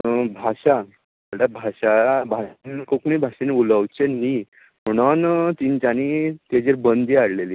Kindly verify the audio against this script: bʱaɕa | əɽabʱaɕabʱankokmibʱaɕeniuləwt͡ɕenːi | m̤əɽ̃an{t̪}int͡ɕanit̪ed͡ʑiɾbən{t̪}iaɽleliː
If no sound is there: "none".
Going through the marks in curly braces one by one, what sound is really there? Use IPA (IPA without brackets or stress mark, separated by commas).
t̪, d̪